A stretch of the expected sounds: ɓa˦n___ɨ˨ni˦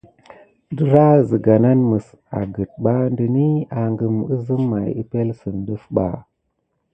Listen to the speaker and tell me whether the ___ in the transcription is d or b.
d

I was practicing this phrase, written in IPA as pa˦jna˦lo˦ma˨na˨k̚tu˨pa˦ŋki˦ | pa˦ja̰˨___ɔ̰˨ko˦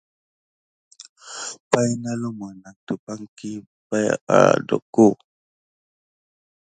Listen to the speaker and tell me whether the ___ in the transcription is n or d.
d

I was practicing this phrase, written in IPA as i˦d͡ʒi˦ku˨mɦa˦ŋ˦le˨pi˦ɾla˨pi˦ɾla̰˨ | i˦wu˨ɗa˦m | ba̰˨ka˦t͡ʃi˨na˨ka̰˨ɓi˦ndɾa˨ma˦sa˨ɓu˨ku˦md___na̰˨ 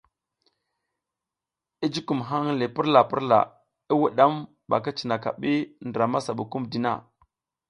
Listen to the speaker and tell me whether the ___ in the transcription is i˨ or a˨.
i˨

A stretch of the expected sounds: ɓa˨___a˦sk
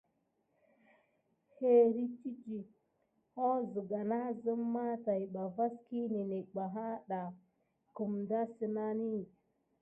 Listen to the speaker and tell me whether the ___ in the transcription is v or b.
v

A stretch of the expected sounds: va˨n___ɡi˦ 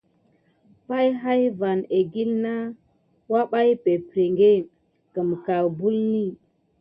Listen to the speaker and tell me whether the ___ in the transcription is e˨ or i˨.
e˨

